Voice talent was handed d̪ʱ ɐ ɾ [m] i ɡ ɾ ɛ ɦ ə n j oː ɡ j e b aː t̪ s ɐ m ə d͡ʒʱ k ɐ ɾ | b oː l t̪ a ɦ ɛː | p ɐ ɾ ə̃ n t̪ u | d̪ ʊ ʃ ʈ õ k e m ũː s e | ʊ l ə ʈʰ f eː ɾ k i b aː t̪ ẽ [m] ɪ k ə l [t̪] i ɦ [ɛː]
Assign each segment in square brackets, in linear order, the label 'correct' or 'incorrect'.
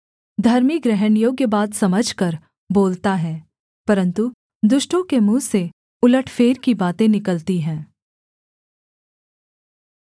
correct, incorrect, correct, incorrect

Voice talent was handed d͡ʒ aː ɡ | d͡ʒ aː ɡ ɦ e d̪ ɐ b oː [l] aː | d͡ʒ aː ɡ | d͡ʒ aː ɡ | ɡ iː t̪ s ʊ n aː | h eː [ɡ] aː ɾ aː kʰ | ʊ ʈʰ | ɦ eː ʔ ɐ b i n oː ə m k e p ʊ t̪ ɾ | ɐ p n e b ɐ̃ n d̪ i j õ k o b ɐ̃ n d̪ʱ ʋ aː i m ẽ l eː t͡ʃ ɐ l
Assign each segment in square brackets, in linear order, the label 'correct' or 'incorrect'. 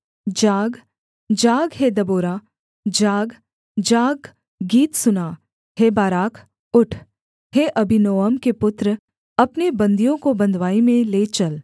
incorrect, incorrect

